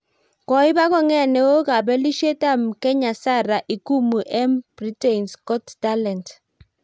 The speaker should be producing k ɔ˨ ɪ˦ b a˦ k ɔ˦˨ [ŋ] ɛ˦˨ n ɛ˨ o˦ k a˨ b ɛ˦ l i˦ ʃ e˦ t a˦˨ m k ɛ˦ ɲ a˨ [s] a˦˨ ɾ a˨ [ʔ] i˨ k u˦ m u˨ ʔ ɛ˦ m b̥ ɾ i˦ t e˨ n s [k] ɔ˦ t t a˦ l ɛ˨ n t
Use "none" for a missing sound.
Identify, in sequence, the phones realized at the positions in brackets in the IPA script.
ŋ, s, ʔ, k

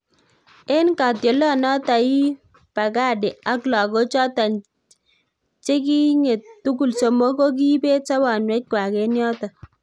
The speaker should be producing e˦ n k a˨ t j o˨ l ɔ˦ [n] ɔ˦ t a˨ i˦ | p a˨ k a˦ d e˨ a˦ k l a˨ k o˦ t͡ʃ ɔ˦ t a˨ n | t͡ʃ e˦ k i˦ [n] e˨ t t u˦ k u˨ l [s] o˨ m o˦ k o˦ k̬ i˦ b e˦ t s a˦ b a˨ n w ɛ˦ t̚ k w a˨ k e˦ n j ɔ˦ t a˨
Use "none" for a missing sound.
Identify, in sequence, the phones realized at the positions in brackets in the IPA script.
n, ŋ, s

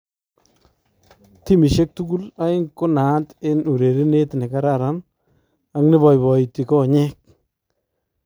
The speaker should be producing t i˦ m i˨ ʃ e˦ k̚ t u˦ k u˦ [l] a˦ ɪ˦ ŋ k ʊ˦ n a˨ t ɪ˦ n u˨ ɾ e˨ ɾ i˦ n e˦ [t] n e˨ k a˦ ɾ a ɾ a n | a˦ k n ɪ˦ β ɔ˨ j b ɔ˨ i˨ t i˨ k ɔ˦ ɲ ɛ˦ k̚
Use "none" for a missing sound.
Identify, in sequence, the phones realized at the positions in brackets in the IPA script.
l, t

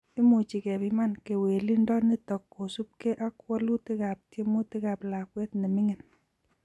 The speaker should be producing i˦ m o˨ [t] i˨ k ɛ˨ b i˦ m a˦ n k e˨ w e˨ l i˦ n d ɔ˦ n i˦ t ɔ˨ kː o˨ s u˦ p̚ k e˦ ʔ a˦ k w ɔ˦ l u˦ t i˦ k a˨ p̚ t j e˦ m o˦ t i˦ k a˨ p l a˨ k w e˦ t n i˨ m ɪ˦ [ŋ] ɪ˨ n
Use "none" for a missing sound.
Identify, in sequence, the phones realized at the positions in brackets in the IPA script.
t͡ʃ, ŋ

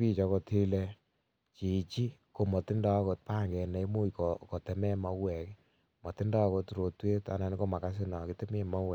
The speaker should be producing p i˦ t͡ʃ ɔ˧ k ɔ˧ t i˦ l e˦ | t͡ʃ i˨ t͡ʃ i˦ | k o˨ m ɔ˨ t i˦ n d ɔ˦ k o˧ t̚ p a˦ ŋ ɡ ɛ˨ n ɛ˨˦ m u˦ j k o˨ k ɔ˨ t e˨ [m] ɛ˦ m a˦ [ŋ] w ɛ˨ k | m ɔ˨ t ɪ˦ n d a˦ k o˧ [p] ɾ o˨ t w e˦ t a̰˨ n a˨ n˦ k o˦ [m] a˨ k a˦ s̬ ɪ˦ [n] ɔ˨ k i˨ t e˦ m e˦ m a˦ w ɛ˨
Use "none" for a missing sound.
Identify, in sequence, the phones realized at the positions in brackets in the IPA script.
m, none, t, m, n

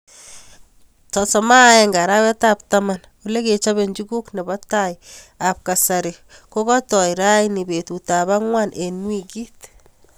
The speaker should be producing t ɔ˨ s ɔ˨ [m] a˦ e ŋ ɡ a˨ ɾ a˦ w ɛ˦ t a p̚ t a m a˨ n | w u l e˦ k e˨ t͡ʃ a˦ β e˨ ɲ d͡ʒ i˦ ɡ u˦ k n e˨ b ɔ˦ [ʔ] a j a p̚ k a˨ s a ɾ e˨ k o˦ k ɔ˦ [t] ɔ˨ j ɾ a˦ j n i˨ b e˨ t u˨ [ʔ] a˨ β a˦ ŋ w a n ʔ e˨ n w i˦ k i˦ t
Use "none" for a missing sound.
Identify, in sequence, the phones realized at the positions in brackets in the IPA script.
m, t, t, t

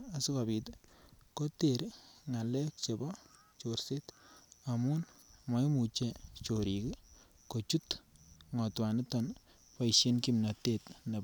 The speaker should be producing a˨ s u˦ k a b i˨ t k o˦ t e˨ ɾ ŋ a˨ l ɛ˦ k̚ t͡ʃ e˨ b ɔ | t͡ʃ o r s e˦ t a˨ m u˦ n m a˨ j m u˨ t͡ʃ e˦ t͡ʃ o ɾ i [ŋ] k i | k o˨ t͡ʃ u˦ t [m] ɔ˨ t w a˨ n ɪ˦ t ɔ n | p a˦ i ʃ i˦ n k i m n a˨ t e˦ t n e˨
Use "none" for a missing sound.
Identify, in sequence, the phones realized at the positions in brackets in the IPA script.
none, ŋ

